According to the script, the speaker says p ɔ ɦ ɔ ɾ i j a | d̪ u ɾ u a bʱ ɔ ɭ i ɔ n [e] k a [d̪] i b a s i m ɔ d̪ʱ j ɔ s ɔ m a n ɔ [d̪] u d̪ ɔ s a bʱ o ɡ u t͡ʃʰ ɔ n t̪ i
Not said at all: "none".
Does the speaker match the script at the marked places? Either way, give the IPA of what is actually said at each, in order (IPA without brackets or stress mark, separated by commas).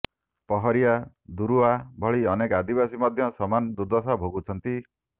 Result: e, d̪, d̪